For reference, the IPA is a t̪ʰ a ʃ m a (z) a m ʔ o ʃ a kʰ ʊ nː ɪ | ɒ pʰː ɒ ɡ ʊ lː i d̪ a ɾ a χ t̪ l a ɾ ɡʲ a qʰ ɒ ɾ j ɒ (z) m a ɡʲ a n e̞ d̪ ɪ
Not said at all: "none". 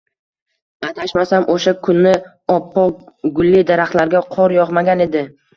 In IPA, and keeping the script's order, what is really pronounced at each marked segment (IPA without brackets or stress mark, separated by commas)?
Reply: s, ʁ